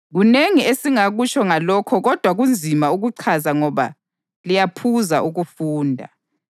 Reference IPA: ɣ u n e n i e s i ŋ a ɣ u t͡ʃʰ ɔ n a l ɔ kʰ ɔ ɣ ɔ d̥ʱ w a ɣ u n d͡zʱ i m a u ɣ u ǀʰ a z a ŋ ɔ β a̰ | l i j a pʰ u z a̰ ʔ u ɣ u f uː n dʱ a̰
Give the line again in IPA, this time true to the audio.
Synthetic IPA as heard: ɣ u n e ŋ i e s i ŋ a ɣ u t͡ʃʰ ɔ ŋ a l ɔ kʰ ɔ ɣ ɔ d̥ʱ w a ɣ u n d͡zʱ i m a u ɣ u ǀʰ a z a ŋ ɔ β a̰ | l i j a pʰ u z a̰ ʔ u ɣ u f uː n dʱ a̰